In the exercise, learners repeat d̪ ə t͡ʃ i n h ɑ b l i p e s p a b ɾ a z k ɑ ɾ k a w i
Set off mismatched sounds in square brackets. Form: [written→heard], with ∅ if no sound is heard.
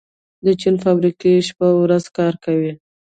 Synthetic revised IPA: d̪ ə t͡ʃ i n [h→f] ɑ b [l→ɾ] i [p→k] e [s→ʃ] p a [b→w] ɾ a z k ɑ ɾ k a w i